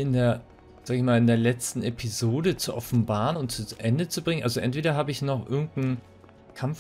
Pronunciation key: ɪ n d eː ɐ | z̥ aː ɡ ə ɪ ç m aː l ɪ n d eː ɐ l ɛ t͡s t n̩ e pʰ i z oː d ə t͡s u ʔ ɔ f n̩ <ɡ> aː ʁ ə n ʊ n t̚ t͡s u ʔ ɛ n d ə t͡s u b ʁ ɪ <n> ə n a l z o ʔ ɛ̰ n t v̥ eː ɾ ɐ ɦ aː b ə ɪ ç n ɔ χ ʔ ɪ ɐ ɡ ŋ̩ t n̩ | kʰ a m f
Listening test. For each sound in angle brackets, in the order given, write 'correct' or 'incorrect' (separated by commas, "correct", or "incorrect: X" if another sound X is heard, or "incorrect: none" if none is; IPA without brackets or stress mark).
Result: incorrect: b, incorrect: ŋ